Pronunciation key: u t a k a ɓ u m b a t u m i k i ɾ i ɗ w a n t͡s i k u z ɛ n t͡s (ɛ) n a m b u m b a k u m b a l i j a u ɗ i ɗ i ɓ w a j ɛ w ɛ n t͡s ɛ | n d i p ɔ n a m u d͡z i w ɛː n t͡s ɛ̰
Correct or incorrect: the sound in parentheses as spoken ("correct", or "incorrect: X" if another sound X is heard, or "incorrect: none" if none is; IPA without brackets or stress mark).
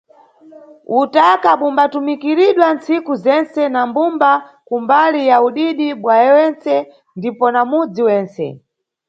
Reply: correct